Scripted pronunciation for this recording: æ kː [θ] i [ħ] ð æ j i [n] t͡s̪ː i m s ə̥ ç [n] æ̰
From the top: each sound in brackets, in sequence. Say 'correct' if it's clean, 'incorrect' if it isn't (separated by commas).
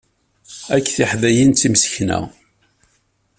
correct, correct, correct, correct